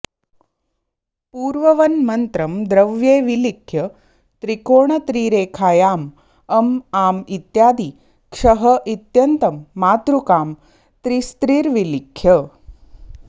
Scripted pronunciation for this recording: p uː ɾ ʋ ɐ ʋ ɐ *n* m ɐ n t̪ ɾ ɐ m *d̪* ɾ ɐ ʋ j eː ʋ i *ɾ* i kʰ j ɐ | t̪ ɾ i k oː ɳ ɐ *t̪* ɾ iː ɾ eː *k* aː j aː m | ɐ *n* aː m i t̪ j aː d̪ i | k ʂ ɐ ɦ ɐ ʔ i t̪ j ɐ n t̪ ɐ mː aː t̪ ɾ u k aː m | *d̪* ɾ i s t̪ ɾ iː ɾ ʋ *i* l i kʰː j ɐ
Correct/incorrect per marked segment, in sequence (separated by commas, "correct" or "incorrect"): correct, correct, incorrect, correct, incorrect, incorrect, incorrect, correct